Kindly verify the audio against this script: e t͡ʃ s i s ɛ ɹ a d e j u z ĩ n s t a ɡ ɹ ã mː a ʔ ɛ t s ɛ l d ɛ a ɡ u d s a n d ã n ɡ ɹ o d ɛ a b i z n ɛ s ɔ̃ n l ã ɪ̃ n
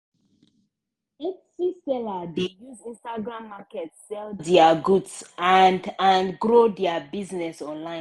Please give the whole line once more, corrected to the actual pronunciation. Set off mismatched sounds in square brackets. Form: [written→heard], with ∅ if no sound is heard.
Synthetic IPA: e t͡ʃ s i s ɛ [ɹ→l] a d e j u z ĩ n s t a ɡ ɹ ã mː a [ʔ→k] ɛ t s ɛ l d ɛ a ɡ u d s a n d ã n ɡ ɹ o d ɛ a b i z n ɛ s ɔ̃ n l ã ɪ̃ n